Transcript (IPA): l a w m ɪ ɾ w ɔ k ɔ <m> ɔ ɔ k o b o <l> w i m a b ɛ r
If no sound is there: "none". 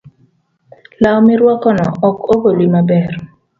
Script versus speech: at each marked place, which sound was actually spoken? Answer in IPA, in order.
n, l

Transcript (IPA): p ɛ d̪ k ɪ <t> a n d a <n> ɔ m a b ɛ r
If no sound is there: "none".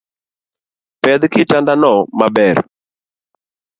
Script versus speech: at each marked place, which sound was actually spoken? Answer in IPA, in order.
t, n

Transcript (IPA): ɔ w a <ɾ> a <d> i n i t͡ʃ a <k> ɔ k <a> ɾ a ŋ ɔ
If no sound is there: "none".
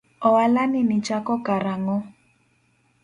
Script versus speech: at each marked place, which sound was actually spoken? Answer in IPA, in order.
l, n, k, a

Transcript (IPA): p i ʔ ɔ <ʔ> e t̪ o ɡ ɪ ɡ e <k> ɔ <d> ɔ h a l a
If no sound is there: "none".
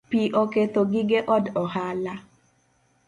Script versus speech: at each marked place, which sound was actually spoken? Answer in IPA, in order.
k, ʔ, d

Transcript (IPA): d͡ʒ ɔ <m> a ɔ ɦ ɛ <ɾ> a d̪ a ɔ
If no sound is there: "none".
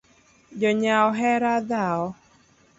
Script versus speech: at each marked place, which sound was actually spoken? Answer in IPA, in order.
ɲ, ɾ

